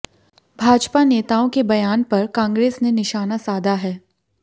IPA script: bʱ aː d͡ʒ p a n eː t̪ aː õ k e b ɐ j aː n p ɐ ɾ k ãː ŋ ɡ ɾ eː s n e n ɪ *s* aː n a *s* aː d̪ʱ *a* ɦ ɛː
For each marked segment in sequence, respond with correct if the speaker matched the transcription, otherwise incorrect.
incorrect: ʃ, correct, correct

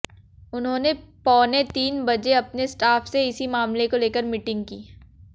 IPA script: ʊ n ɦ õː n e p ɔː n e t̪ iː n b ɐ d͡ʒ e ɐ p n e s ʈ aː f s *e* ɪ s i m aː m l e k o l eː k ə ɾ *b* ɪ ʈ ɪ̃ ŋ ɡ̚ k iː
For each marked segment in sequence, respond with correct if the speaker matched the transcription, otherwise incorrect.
correct, incorrect: m

